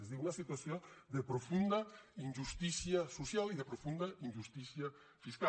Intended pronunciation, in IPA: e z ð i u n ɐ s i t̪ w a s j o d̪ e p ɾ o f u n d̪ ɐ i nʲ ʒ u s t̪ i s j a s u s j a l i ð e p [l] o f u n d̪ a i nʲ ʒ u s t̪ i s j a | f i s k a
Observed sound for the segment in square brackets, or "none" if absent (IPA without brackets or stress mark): ɾ